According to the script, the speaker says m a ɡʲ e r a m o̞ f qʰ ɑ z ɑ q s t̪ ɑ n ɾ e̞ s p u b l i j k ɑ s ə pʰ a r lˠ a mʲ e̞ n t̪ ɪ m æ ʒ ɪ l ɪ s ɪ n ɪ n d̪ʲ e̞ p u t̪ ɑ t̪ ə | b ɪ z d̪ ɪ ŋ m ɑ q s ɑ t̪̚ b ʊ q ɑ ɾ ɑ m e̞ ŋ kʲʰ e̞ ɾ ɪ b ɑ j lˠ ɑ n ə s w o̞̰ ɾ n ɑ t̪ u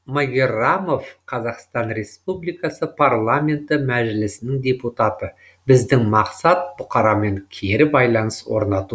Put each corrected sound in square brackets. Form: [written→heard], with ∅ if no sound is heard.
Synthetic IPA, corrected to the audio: m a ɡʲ e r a m o̞ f qʰ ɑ z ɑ q s t̪ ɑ n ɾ e̞ s p u b l i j k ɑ s ə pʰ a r lˠ a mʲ e̞ n t̪ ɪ m æ ʒ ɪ l ɪ s ɪ n ɪ [n→ŋ] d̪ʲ e̞ p u t̪ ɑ t̪ ə | b ɪ z d̪ ɪ ŋ m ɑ q s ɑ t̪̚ b ʊ q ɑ ɾ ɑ m e̞ ŋ kʲʰ e̞ ɾ ɪ b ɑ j lˠ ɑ n ə s w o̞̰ ɾ n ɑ t̪ u